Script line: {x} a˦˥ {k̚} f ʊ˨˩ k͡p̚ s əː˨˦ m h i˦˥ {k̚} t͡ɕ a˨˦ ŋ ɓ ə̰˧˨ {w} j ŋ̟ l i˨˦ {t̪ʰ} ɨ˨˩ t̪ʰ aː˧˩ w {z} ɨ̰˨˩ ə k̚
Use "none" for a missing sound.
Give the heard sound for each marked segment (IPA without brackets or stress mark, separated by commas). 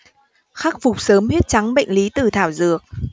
x, k̚, t̚, none, t̪, z